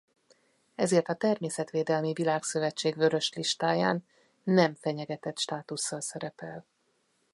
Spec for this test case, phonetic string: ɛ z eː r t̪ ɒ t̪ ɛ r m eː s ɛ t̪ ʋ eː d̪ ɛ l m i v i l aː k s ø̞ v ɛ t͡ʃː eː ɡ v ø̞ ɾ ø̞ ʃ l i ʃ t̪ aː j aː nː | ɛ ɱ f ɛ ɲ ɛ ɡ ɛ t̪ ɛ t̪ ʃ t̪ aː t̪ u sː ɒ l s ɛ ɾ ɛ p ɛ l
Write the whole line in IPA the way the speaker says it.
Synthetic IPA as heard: ɛ z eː r t̪ ɒ t̪ ɛ r m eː s ɛ t̪ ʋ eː d̪ ɛ l m i v i l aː k s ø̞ v ɛ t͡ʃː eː ɡ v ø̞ ɾ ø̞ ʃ l i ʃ t̪ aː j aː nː | ɛ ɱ f ɛ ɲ ɛ ɡ ɛ t̪ ɛ t̪ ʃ t̪ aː t̪ u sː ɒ l s ɛ ɾ ɛ p ɛ l